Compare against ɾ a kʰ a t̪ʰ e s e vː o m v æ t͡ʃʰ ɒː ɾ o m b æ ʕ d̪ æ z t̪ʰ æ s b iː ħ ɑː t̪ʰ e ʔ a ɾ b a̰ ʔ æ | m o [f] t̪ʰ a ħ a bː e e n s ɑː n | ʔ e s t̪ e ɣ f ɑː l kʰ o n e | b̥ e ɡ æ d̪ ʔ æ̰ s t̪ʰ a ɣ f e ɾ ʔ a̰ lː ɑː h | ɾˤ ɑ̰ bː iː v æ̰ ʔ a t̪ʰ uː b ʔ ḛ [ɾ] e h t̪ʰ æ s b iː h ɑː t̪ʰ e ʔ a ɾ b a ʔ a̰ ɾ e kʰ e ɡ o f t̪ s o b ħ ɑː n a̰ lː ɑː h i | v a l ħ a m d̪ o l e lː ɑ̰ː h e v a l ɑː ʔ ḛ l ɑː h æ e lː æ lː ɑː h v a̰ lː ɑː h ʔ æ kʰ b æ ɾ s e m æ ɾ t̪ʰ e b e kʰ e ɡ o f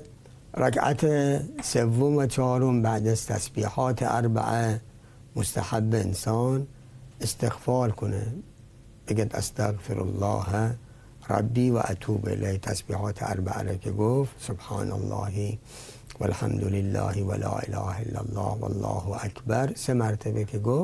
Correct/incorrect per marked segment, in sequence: incorrect: s, incorrect: l

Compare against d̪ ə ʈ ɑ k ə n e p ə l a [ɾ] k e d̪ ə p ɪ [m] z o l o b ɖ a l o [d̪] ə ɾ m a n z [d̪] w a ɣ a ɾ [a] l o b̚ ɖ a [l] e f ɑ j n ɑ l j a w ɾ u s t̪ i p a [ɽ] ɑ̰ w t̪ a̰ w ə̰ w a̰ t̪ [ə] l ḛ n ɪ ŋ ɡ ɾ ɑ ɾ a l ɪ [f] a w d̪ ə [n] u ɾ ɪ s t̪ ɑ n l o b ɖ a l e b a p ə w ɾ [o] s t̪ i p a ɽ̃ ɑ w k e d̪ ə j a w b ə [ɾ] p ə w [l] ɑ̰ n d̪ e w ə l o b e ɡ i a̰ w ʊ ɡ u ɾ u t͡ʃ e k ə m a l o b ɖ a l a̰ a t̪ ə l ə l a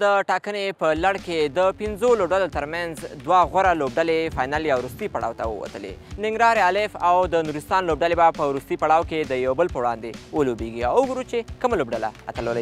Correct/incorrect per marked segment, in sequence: incorrect: ɽ, incorrect: n, incorrect: t̪, correct, correct, correct, correct, correct, correct, correct, incorrect: u, incorrect: l, incorrect: ɽ

